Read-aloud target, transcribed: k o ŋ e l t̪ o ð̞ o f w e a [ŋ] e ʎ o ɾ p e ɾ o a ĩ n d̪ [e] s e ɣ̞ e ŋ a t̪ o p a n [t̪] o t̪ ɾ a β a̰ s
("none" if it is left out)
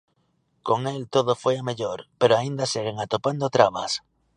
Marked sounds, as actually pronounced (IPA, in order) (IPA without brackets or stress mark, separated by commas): m, a, d̪